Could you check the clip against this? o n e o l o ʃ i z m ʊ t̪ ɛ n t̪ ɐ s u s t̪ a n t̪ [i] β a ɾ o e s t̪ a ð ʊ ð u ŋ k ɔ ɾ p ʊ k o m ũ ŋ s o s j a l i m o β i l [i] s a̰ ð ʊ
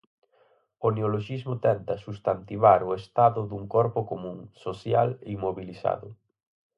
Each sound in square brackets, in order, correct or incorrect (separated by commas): correct, correct